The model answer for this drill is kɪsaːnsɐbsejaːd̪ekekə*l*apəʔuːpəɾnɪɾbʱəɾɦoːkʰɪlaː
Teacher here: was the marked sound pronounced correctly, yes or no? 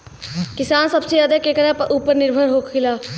no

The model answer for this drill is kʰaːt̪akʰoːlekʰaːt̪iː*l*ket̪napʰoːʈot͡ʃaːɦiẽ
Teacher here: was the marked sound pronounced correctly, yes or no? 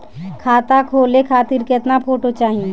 no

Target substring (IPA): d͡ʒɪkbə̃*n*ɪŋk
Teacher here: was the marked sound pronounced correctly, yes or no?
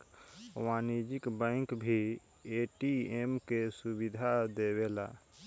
no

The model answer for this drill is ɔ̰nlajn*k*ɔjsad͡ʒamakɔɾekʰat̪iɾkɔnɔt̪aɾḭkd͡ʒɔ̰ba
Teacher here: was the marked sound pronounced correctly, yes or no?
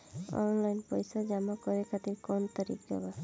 no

